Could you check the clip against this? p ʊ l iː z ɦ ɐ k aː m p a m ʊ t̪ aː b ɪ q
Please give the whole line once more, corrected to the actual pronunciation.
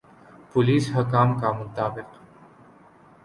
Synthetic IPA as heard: p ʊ l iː s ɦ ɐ k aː m k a m ʊ t̪ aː b ɪ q